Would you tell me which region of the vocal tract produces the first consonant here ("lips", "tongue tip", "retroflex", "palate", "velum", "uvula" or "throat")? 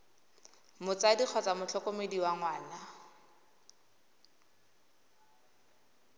lips